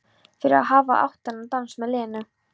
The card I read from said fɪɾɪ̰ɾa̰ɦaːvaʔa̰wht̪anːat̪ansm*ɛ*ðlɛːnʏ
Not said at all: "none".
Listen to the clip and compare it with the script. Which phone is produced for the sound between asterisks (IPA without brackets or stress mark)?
ɛ